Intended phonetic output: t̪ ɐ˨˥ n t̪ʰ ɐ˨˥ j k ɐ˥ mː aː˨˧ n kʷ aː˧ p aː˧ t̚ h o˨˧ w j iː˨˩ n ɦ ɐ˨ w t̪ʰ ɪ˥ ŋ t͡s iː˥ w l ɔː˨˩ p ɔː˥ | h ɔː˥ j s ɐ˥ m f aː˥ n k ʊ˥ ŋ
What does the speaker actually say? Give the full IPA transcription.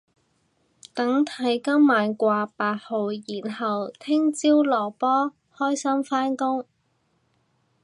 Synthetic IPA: t̪ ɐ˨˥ ŋ t̪ʰ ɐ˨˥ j k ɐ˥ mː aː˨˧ n kʷ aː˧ p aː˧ t̚ h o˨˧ w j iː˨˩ n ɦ ɐ˨ w t̪ʰ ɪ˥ ŋ t͡s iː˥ w l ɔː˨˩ p ɔː˥ | h ɔː˥ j s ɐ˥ m f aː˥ n k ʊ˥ ŋ